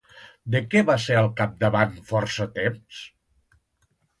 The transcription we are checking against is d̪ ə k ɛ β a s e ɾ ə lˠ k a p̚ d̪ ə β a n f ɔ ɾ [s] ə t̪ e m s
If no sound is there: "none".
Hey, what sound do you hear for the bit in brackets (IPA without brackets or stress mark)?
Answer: s